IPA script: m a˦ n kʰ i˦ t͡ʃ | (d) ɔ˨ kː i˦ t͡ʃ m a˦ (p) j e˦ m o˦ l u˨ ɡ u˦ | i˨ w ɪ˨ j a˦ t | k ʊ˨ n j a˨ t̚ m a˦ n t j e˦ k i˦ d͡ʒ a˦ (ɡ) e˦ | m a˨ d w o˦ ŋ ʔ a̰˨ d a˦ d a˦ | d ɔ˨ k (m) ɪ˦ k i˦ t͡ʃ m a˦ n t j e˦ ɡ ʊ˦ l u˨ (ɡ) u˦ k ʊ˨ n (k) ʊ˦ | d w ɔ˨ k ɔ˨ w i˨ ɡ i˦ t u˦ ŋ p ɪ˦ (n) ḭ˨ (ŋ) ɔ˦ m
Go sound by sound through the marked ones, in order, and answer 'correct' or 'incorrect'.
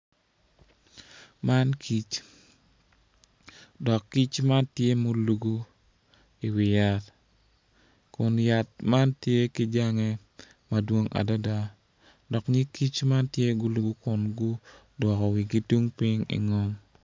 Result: correct, incorrect, incorrect, incorrect, correct, incorrect, incorrect, correct

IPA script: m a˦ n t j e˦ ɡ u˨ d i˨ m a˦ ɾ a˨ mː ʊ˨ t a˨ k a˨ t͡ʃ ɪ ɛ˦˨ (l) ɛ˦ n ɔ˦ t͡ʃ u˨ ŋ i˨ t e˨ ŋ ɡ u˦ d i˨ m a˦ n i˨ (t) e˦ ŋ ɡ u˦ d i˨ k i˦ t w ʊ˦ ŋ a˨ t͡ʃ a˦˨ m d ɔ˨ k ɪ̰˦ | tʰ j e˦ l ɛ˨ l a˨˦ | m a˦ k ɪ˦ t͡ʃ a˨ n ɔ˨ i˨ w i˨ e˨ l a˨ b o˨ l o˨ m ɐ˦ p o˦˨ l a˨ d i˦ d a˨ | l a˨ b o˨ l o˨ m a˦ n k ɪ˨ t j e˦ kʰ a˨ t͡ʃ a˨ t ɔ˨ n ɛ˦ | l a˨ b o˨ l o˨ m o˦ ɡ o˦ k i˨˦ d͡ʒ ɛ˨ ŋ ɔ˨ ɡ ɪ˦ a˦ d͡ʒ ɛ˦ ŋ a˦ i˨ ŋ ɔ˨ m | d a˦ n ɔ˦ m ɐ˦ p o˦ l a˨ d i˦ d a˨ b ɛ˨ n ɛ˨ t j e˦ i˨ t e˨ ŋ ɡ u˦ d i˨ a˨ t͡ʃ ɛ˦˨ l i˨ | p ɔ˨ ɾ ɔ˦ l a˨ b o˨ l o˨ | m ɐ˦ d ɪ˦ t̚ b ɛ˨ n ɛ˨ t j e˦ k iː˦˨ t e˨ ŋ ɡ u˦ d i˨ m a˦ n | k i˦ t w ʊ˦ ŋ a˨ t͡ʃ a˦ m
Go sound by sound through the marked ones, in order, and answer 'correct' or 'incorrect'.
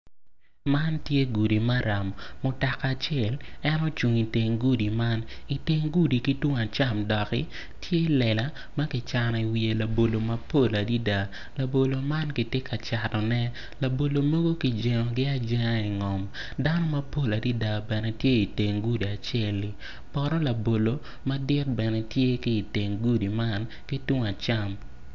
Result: correct, correct

